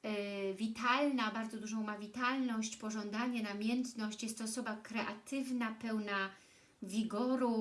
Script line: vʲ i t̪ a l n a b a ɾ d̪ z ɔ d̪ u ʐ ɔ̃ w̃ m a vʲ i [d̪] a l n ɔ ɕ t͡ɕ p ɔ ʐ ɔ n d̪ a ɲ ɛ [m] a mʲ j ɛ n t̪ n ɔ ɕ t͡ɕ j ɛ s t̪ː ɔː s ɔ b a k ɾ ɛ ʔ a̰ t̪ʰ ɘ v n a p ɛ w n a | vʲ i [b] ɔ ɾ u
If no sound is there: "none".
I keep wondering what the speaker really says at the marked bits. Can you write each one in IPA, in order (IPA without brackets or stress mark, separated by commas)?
t̪, n, ɡ